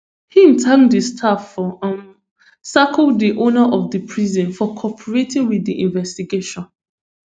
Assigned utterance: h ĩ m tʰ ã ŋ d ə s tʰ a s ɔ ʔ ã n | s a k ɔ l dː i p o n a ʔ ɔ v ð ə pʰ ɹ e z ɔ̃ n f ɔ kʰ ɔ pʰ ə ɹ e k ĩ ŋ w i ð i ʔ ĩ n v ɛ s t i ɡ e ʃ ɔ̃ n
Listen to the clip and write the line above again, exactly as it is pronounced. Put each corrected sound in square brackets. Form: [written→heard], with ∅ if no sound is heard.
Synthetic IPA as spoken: h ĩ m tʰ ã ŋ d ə s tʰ a [s→f] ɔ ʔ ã n | s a k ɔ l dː i [p→ʔ] o n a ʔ ɔ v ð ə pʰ ɹ [e→i] z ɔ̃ n f ɔ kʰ ɔ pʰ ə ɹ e [k→t] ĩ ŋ w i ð i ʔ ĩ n v ɛ s t i ɡ e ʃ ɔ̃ n